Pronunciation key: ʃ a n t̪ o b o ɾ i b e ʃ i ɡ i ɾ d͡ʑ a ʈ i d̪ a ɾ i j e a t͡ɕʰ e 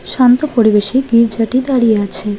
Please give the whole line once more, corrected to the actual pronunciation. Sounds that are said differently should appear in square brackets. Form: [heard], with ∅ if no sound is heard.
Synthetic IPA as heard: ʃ a n t̪ o [p] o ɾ i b e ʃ i ɡ i ɾ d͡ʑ a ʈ i d̪ a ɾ i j e a t͡ɕʰ e